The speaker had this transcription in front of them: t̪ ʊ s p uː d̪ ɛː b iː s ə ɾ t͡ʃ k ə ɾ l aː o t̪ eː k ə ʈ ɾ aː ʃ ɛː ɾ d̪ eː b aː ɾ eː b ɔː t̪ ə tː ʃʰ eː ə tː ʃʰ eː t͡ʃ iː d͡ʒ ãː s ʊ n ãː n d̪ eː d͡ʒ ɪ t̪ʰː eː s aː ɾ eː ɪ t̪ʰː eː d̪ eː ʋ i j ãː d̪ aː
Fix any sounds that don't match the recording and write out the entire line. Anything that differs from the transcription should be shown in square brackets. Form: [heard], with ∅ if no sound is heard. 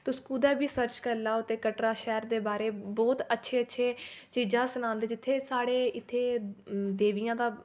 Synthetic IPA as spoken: t̪ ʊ s [k] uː d̪ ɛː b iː s ə ɾ t͡ʃ k ə ɾ l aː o t̪ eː k ə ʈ ɾ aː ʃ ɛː ɾ d̪ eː b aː ɾ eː b ɔː t̪ ə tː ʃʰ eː ə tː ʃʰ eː t͡ʃ iː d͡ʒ ãː s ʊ n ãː n d̪ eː d͡ʒ ɪ t̪ʰː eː s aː [ɽ] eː ɪ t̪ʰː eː d̪ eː ʋ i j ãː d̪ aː